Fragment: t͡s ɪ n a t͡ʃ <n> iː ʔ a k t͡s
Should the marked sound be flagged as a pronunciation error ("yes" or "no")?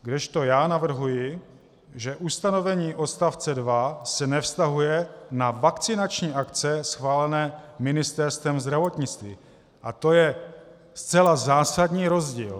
yes